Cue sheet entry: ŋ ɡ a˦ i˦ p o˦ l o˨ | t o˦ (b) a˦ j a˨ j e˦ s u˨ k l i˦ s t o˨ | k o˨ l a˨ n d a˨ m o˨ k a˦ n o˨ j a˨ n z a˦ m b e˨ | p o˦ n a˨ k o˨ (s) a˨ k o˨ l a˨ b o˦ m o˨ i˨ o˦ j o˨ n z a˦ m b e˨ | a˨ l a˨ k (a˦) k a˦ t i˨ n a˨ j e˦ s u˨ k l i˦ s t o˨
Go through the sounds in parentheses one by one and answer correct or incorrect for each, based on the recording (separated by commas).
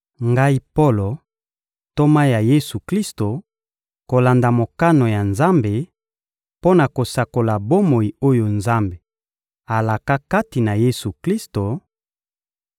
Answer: incorrect, correct, correct